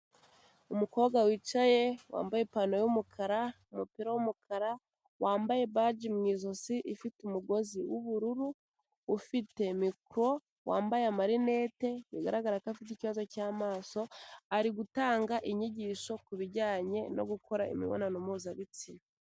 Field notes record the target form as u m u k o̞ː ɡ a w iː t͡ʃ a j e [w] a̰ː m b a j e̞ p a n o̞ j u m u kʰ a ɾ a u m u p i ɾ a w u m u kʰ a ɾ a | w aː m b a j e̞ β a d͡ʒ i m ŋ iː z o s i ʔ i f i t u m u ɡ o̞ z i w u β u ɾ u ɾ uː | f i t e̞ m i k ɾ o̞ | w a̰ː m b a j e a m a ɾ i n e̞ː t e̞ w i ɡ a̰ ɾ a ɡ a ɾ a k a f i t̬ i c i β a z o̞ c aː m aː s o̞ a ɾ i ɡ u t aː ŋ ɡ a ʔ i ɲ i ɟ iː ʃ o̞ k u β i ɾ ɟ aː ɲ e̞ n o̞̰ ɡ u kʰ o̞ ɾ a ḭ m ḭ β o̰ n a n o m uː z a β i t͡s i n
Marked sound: correct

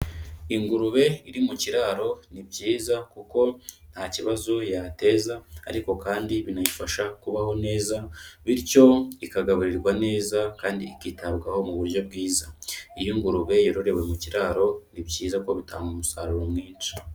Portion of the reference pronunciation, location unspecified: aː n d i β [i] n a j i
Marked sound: correct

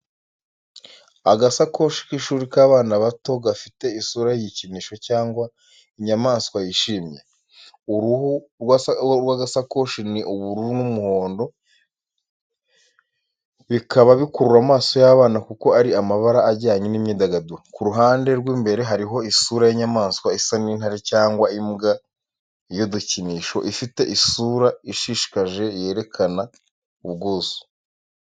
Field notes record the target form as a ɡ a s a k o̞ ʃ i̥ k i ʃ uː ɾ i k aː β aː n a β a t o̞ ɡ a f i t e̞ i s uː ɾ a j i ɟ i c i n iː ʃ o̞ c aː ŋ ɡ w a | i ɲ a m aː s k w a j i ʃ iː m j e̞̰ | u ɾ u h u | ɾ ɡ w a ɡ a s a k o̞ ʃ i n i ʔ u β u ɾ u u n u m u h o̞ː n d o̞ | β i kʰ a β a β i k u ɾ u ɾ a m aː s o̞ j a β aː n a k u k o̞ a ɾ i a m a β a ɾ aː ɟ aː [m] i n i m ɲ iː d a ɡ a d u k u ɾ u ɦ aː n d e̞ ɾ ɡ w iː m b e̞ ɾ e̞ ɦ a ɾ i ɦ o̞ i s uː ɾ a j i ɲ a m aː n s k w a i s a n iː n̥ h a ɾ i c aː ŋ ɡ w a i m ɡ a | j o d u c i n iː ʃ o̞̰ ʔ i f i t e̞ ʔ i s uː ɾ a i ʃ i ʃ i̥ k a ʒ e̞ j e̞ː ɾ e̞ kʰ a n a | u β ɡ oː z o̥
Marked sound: incorrect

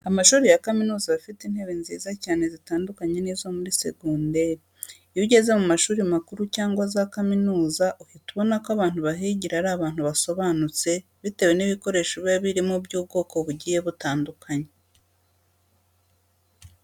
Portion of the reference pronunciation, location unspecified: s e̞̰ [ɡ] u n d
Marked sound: correct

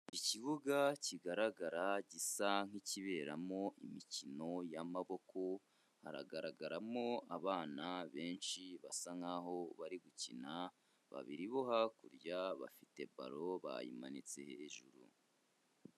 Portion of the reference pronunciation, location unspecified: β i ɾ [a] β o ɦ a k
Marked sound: incorrect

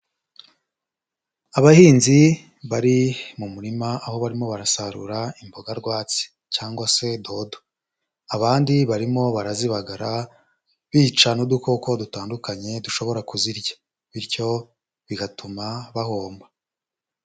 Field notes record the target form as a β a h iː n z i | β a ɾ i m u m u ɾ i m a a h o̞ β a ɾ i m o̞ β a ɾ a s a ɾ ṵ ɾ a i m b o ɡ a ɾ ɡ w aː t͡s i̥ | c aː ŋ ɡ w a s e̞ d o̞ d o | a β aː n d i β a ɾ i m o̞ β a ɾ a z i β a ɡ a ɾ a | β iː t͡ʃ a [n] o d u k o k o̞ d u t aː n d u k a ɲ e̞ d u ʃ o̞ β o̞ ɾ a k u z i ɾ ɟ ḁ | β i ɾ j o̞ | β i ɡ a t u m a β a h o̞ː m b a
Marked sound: correct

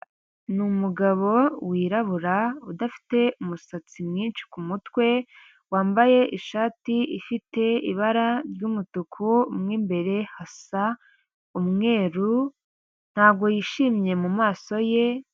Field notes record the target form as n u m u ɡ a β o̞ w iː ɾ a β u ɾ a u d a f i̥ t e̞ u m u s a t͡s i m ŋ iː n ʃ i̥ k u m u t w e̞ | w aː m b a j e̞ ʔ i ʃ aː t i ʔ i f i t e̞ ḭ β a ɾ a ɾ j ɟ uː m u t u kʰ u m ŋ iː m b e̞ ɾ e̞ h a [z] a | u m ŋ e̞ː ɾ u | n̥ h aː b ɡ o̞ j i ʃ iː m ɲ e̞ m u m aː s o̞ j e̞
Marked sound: incorrect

